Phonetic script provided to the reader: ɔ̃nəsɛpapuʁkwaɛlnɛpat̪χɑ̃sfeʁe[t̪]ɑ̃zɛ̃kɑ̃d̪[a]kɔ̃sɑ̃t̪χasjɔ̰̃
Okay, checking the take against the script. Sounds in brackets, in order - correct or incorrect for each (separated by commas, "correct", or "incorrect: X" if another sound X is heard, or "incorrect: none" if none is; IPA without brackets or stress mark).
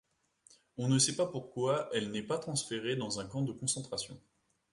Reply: incorrect: d̪, incorrect: ə